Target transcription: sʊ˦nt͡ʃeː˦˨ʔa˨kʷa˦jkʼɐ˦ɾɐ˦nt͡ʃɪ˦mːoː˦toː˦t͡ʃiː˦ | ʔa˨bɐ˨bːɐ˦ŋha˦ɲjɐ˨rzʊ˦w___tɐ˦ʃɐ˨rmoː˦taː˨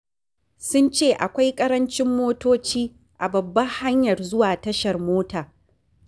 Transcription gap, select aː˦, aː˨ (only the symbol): aː˨